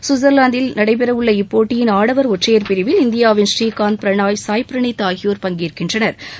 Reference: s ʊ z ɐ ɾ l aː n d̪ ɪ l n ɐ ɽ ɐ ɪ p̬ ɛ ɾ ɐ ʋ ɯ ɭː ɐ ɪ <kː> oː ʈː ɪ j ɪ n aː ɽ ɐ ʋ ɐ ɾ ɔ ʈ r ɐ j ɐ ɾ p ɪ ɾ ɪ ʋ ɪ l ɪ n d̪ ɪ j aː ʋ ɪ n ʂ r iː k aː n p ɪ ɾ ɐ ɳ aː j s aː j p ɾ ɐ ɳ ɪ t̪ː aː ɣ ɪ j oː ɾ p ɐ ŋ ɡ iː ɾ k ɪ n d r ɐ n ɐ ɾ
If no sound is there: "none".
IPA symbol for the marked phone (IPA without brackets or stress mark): pː